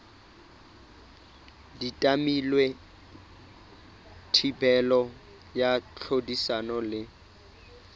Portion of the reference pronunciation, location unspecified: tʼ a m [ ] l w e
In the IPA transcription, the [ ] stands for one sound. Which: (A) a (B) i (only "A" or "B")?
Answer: B